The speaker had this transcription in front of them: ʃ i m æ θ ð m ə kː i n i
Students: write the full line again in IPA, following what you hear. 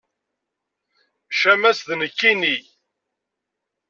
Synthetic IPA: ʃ æ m æ s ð n ə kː i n i